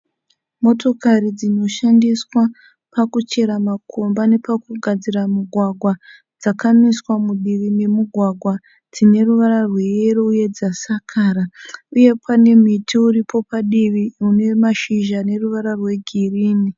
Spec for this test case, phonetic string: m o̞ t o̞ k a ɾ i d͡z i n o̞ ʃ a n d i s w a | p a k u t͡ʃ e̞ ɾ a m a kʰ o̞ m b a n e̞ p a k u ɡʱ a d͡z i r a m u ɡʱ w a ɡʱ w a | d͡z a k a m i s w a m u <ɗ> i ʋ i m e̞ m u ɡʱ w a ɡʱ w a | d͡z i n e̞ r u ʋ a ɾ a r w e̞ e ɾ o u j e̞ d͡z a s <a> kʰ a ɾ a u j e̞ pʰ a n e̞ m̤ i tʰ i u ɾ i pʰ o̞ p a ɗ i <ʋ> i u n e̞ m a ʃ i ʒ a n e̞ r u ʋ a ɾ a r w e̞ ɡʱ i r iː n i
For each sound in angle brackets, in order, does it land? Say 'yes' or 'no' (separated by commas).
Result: yes, yes, yes